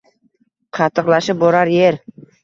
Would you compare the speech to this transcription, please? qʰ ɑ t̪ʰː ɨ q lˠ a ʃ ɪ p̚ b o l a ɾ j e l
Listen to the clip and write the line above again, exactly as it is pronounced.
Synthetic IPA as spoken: qʰ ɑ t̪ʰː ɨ q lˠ a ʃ ɪ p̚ b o ɾ a ɾ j e ɾ